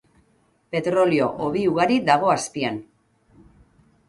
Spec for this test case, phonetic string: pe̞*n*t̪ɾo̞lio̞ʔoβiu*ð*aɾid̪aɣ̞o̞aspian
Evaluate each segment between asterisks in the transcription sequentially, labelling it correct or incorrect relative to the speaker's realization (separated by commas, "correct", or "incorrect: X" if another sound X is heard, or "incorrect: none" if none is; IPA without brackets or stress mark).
incorrect: none, incorrect: ɣ